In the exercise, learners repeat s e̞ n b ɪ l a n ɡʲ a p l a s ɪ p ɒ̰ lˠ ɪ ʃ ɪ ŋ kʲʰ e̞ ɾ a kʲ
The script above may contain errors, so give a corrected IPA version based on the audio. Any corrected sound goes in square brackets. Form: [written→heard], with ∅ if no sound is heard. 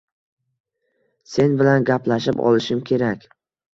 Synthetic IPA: s e̞ n b ɪ l a n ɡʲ a p l a [s→ʃ] ɪ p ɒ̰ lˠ ɪ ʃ ɪ [ŋ→m] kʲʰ e̞ ɾ a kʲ